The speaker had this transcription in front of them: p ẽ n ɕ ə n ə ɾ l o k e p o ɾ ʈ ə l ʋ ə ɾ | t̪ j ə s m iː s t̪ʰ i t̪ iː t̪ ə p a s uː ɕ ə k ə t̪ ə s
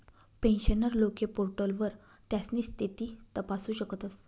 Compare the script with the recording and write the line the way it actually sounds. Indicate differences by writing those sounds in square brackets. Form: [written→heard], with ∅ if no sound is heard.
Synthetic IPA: p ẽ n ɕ ə n ə ɾ l o k e p o ɾ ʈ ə l ʋ ə ɾ | t̪ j [ə→a] s [m→n] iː s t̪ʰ i t̪ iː t̪ ə p a s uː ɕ ə k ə t̪ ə s